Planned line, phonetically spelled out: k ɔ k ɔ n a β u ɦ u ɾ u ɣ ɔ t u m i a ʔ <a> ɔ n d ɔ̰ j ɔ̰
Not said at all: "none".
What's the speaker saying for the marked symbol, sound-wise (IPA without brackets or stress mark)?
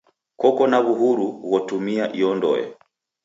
i